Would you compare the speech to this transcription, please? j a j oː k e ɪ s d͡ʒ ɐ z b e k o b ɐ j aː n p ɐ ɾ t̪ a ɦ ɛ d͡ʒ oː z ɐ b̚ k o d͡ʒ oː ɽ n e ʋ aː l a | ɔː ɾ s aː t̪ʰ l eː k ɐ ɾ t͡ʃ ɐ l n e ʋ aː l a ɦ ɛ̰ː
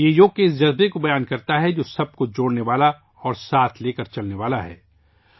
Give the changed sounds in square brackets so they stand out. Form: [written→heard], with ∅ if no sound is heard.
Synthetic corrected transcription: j [a→e] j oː k e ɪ s d͡ʒ ɐ z b e k o b ɐ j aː n [p→k] ɐ ɾ t̪ a ɦ ɛ d͡ʒ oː [z→s] ɐ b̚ k o d͡ʒ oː ɽ n e ʋ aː l a | ɔː ɾ s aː t̪ʰ l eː k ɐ ɾ t͡ʃ ɐ l n e ʋ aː l a ɦ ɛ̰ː